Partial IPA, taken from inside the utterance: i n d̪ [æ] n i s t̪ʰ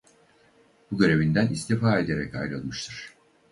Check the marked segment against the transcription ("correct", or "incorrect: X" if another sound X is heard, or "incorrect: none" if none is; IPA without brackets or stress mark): correct